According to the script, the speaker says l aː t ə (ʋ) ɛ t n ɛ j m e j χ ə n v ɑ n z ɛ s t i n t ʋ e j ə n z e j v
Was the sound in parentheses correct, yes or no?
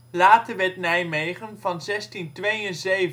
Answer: yes